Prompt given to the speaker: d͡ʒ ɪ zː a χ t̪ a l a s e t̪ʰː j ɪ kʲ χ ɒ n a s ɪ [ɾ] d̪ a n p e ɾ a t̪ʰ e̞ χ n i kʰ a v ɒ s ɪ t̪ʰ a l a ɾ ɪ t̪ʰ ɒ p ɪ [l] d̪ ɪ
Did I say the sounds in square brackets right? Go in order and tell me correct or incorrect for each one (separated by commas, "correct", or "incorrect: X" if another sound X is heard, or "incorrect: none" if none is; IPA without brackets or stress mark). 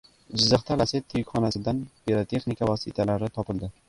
incorrect: none, correct